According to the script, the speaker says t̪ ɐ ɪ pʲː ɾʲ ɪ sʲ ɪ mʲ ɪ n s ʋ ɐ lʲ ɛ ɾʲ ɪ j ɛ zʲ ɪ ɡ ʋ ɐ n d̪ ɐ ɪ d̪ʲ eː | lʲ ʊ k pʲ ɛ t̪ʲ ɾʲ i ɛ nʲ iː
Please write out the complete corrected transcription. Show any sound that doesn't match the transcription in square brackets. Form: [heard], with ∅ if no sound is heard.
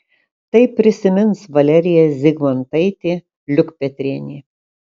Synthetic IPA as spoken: t̪ ɐ ɪ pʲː ɾʲ ɪ sʲ ɪ mʲ ɪ n s ʋ ɐ lʲ ɛ ɾʲ ɪ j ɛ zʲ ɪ ɡ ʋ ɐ n [t̪] ɐ ɪ [t̪ʲ] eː | lʲ ʊ k pʲ ɛ t̪ʲ ɾʲ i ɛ nʲ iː

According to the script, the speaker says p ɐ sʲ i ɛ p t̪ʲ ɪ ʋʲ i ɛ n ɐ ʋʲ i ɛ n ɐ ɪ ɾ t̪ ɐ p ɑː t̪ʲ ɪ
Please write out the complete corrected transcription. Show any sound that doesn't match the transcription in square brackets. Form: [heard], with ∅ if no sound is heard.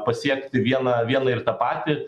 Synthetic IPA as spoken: p ɐ sʲ i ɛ [k] t̪ʲ ɪ ʋʲ i ɛ n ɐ ʋʲ i ɛ n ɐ ɪ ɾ t̪ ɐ p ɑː t̪ʲ ɪ

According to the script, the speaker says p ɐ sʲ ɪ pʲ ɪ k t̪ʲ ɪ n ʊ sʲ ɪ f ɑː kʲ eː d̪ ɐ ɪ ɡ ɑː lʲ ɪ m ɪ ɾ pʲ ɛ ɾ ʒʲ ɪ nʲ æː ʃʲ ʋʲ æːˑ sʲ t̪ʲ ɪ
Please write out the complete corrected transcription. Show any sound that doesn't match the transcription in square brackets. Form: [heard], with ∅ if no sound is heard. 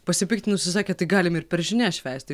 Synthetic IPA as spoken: p ɐ sʲ ɪ pʲ ɪ k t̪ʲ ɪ n ʊ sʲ ɪ [s] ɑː kʲ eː [t̪] ɐ ɪ ɡ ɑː lʲ ɪ m ɪ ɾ pʲ ɛ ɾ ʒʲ ɪ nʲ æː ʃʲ ʋʲ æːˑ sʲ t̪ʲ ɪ

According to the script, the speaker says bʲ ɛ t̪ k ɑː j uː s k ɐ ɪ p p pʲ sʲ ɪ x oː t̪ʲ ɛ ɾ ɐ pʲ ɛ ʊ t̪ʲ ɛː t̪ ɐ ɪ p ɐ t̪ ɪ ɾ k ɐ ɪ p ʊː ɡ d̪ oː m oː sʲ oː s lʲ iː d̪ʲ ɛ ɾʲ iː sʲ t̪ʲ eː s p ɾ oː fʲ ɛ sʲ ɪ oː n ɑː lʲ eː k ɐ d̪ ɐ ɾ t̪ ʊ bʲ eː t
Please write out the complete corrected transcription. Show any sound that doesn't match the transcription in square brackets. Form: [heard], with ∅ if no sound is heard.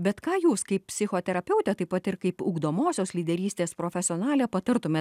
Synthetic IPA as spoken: bʲ ɛ t̪ k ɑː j uː s k ɐ ɪ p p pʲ sʲ ɪ x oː t̪ʲ ɛ ɾ ɐ pʲ ɛ ʊ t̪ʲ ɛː t̪ ɐ ɪ p ɐ t̪ ɪ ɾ k ɐ ɪ p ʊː ɡ d̪ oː m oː sʲ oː s lʲ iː d̪ʲ ɛ ɾʲ iː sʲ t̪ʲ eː s p ɾ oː fʲ ɛ sʲ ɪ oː n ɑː lʲ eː [p] ɐ [t̪] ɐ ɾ t̪ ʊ [mʲ] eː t

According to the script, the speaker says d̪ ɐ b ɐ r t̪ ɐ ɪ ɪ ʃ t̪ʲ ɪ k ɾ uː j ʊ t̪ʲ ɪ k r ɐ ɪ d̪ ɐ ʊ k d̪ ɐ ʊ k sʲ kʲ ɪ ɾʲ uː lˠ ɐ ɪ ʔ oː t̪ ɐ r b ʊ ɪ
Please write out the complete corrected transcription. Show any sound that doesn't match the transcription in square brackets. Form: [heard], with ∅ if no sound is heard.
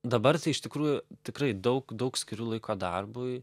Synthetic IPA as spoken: d̪ ɐ b ɐ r t̪ ɐ ɪ ɪ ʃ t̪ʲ ɪ k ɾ uː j ʊ t̪ʲ ɪ k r ɐ ɪ d̪ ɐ ʊ k d̪ ɐ ʊ k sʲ kʲ ɪ ɾʲ uː lˠ ɐ ɪ [k] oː [d̪] ɐ r b ʊ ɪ

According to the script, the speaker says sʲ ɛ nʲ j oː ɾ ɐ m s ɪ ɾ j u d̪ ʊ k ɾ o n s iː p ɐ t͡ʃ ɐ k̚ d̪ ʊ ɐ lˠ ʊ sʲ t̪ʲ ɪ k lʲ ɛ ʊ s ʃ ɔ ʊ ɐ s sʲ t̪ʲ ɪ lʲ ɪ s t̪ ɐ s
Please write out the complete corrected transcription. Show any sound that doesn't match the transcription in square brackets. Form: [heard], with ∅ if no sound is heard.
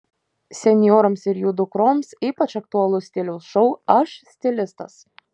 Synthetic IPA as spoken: sʲ ɛ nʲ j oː ɾ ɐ m s ɪ ɾ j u d̪ ʊ k ɾ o [m] s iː p ɐ t͡ʃ ɐ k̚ [t̪] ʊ ɐ lˠ ʊ sʲ t̪ʲ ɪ [∅] lʲ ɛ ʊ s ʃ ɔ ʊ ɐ [ʃ] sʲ t̪ʲ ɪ lʲ ɪ s t̪ ɐ s

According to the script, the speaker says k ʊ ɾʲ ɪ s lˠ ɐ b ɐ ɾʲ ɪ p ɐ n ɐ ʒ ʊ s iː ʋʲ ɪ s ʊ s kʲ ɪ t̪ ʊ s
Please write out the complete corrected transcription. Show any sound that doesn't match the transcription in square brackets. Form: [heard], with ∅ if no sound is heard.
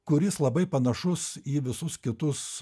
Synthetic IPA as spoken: k ʊ ɾʲ ɪ s lˠ ɐ b ɐ [∅] ɪ p ɐ n ɐ [ʃ] ʊ s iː ʋʲ ɪ s ʊ s kʲ ɪ t̪ ʊ s

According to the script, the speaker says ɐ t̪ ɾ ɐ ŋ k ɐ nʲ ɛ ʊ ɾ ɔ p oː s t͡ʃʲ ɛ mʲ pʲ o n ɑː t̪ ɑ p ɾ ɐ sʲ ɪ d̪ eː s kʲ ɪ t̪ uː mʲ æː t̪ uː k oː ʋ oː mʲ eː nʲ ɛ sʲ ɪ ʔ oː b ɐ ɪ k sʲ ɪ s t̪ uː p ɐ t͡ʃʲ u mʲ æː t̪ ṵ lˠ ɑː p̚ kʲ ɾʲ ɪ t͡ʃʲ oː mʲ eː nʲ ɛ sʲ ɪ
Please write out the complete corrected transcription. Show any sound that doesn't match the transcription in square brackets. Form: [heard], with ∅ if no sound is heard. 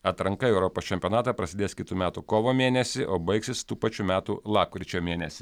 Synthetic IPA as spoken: ɐ t̪ ɾ ɐ ŋ k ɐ [∅] ɛ ʊ ɾ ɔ p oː s t͡ʃʲ ɛ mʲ pʲ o n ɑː t̪ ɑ p ɾ ɐ sʲ ɪ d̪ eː s kʲ ɪ t̪ uː mʲ æː t̪ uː k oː ʋ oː mʲ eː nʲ ɛ sʲ ɪ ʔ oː b ɐ ɪ k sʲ ɪ s t̪ uː p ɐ t͡ʃʲ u mʲ æː t̪ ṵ lˠ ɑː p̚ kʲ ɾʲ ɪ t͡ʃʲ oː mʲ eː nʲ ɛ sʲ ɪ

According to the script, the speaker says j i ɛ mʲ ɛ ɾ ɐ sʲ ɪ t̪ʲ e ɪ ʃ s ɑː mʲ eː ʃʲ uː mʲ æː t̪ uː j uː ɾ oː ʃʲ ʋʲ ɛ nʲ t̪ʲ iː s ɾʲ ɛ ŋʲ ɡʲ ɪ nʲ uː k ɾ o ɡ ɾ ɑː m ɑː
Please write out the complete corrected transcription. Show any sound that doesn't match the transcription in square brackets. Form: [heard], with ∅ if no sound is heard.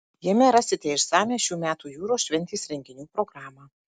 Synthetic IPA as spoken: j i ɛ mʲ ɛ ɾ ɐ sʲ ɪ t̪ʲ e ɪ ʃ s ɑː mʲ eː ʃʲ uː mʲ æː t̪ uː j uː ɾ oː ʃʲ ʋʲ ɛ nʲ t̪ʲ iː s ɾʲ ɛ ŋʲ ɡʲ ɪ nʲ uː [p] ɾ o ɡ ɾ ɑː m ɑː

